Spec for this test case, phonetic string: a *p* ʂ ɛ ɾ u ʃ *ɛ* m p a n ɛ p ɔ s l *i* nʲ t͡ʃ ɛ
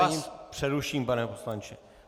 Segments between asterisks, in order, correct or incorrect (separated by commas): correct, incorrect, incorrect